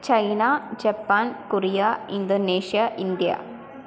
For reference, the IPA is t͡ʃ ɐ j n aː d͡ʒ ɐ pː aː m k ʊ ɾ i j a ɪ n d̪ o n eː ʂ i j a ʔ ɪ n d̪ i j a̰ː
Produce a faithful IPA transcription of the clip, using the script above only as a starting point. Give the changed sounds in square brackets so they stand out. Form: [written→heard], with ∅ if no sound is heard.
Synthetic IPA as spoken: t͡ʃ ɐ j n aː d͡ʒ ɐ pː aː [m→n] k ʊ ɾ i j a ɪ n d̪ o n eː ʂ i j a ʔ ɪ n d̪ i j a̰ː